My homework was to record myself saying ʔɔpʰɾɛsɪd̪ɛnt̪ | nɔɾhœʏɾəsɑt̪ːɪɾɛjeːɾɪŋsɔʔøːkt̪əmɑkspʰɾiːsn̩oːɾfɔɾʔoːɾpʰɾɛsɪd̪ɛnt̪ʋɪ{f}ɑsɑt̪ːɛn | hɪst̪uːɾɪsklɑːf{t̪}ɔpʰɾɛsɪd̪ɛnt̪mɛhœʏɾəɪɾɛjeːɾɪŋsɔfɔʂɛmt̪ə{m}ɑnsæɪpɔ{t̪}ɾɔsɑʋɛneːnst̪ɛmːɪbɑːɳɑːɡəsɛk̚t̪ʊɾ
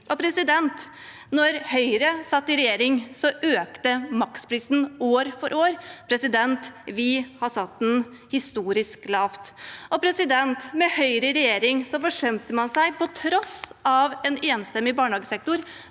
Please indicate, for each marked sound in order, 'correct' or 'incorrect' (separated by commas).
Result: incorrect, correct, correct, incorrect